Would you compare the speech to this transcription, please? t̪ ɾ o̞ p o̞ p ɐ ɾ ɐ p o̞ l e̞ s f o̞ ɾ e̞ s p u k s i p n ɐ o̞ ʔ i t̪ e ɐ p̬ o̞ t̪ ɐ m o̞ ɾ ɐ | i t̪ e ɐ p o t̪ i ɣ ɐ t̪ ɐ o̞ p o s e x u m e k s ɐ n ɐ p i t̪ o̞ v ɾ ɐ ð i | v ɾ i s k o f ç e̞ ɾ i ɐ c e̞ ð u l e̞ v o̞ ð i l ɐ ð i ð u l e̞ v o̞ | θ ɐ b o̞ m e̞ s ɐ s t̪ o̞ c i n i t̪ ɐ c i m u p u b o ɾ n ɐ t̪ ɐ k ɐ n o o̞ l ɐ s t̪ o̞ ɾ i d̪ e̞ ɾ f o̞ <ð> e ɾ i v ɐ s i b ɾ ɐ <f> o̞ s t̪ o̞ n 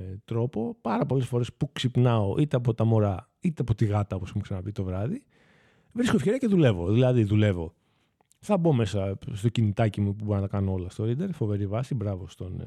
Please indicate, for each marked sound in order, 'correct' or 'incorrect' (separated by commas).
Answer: incorrect, incorrect